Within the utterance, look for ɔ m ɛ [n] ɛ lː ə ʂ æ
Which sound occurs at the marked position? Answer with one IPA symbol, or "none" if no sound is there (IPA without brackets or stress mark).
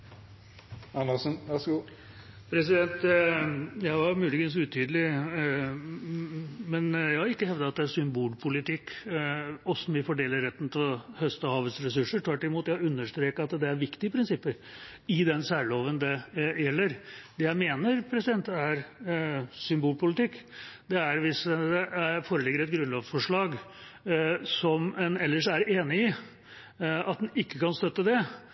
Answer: n